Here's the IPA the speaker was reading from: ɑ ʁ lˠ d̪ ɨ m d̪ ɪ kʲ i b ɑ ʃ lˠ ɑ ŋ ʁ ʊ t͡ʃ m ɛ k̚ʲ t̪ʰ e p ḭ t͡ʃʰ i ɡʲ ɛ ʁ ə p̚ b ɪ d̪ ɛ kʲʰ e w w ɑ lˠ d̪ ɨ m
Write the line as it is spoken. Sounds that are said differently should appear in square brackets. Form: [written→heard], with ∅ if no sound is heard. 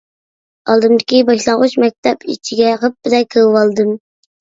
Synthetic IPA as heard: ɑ [ʁ→∅] lˠ d̪ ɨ m d̪ ɪ kʲ i b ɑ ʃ lˠ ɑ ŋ ʁ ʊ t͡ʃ m ɛ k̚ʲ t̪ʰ [e→ɛ] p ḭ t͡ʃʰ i ɡʲ ɛ ʁ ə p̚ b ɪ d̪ ɛ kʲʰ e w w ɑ lˠ d̪ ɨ m